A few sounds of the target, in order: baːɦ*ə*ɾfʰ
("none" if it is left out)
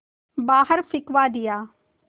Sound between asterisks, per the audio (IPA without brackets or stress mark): ə